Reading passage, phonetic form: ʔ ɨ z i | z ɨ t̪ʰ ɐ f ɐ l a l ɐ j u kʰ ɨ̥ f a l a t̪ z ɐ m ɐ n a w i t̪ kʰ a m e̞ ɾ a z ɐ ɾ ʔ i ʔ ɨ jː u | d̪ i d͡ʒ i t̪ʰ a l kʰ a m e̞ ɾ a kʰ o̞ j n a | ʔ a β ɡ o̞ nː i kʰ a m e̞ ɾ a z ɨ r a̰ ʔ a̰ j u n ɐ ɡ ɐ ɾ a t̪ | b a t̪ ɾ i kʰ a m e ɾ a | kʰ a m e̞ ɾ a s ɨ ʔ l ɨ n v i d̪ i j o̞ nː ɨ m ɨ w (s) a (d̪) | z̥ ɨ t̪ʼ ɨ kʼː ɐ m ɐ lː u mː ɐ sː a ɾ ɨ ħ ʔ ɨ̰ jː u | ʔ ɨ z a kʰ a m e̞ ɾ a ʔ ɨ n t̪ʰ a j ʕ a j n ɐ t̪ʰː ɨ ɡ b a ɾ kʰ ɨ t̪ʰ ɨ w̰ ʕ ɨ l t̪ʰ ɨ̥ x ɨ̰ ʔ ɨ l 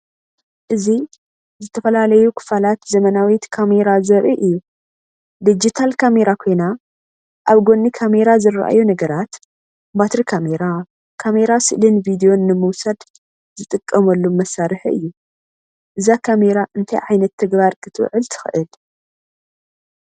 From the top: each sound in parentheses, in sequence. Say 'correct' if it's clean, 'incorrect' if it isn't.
correct, correct

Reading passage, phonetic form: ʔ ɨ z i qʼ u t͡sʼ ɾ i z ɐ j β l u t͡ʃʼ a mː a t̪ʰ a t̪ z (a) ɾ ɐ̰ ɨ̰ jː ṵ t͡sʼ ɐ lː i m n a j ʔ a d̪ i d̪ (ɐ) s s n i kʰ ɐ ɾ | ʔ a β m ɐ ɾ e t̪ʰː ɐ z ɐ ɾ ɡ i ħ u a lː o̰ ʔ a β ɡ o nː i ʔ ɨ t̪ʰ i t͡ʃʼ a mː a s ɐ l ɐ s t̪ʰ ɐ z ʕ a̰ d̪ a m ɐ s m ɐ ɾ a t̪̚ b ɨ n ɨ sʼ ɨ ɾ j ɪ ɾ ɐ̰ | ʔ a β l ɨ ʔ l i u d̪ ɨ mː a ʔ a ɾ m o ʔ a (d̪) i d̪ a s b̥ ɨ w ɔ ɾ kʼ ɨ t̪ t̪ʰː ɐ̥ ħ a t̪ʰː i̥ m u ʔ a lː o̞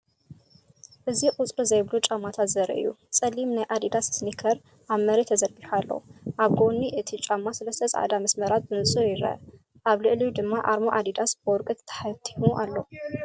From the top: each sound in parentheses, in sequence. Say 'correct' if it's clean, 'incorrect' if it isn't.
incorrect, incorrect, correct

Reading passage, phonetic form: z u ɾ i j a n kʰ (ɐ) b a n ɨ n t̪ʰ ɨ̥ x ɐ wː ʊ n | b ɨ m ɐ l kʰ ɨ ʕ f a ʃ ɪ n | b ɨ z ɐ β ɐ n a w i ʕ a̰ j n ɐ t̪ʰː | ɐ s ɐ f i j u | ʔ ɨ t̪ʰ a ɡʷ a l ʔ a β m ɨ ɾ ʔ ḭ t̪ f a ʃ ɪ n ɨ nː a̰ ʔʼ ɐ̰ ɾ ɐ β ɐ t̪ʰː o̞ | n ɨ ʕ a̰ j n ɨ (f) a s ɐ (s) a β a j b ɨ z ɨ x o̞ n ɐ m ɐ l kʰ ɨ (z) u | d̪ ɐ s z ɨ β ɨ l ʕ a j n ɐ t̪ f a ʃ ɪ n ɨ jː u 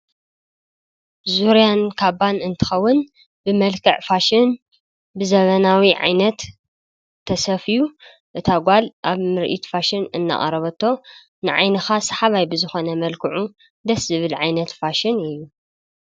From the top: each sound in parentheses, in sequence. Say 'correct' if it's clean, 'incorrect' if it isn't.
incorrect, incorrect, incorrect, incorrect

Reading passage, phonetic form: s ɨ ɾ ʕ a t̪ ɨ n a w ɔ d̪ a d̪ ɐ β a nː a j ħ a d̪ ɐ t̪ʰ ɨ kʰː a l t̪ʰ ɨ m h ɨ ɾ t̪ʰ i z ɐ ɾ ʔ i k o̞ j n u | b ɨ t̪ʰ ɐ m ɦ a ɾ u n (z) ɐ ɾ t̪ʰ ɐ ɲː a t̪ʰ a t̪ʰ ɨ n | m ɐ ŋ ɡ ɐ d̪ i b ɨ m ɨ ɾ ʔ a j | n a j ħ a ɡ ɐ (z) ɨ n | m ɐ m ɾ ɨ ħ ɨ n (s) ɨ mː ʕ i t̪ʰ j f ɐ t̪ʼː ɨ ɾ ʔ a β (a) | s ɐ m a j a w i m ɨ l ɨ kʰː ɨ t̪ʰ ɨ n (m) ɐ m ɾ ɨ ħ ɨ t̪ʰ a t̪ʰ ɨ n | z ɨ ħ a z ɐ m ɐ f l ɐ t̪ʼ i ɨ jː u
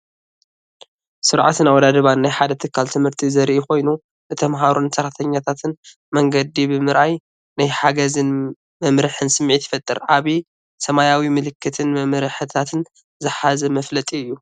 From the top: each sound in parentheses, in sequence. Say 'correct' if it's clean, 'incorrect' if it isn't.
incorrect, correct, correct, incorrect, correct

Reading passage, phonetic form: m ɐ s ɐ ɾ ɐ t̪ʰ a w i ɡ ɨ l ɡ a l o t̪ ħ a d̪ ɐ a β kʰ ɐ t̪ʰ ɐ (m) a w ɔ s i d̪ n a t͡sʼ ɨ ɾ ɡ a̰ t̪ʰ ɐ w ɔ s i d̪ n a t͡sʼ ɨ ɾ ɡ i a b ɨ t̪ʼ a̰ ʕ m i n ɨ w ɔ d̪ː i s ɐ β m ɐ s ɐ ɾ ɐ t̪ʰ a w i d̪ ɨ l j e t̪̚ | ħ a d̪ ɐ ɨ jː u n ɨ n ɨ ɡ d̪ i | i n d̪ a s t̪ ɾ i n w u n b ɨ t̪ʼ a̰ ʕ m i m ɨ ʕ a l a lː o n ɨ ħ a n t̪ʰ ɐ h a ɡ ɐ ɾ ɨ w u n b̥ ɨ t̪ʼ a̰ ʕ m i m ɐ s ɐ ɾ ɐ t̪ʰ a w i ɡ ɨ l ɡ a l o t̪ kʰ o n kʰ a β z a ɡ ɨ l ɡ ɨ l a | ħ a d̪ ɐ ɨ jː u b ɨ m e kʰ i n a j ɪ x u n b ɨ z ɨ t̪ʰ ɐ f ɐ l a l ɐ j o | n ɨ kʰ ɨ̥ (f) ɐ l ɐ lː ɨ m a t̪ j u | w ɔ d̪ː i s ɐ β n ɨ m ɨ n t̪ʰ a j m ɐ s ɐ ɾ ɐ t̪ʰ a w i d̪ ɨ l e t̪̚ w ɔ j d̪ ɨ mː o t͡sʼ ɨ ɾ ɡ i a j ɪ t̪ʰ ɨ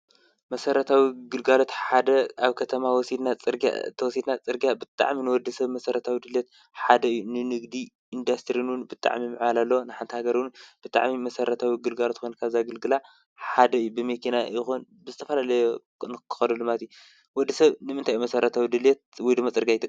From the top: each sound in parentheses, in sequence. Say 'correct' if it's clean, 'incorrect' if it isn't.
correct, incorrect

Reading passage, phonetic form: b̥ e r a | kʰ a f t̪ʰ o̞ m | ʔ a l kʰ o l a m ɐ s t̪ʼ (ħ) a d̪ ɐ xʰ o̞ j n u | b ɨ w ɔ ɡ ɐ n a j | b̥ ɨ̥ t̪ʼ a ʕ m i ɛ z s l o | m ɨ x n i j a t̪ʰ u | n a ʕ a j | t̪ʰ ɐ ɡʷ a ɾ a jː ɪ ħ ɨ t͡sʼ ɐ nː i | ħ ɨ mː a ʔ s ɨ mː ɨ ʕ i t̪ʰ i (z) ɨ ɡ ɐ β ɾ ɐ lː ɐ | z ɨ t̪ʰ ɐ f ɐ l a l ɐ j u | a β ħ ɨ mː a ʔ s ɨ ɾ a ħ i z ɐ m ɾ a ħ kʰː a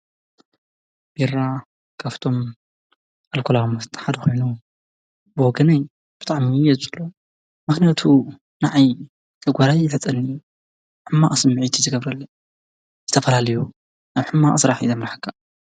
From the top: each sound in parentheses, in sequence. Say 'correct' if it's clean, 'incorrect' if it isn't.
correct, correct

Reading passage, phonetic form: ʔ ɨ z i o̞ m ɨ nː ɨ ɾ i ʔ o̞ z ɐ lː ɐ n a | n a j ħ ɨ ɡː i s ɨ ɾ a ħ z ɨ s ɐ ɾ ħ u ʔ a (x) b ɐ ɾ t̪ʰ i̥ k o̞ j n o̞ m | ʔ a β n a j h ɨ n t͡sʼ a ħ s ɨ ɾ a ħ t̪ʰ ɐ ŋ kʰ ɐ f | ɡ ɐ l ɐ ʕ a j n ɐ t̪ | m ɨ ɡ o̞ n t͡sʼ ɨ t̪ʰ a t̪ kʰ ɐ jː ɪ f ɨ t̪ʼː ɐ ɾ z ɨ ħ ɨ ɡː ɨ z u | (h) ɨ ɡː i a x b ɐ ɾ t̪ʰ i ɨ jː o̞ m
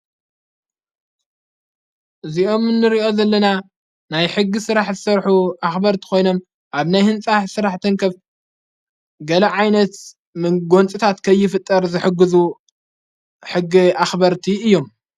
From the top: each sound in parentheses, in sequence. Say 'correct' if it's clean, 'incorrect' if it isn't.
correct, incorrect

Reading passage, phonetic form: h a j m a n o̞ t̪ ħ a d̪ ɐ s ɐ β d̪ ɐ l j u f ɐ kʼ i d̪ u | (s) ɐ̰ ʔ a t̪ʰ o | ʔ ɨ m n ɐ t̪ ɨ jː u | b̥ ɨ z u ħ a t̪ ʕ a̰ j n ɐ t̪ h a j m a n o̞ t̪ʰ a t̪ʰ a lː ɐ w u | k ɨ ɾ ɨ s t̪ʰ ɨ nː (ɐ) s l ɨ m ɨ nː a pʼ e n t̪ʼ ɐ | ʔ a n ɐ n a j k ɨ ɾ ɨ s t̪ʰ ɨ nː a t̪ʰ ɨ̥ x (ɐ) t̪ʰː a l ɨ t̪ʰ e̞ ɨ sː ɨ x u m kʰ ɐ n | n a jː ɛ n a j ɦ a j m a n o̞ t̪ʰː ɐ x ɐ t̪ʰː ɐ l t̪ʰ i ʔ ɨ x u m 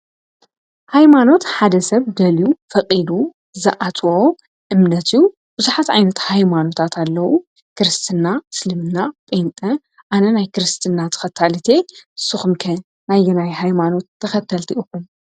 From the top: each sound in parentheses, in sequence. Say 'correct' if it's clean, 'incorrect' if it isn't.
incorrect, incorrect, correct

